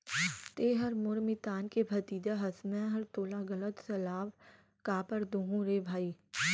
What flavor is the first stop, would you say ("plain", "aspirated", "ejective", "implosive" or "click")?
plain